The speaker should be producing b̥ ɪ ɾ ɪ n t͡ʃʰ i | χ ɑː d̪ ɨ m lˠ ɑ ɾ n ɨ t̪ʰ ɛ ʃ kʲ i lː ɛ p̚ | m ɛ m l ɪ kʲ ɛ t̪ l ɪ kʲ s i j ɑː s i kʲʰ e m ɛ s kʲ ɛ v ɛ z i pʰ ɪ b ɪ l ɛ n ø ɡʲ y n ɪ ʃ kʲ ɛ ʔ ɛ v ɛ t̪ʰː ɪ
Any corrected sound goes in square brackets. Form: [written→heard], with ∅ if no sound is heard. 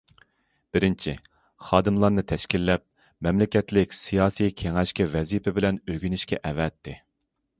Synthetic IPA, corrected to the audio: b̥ ɪ ɾ ɪ n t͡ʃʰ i | χ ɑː d̪ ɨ m lˠ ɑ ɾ n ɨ t̪ʰ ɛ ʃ kʲ i lː ɛ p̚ | m ɛ m l ɪ kʲ ɛ t̪ l ɪ kʲ s i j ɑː s i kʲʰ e [m→ŋ] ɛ [s→ʃ] kʲ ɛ v ɛ z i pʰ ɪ b ɪ l ɛ n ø ɡʲ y n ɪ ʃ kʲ ɛ ʔ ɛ v ɛ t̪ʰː ɪ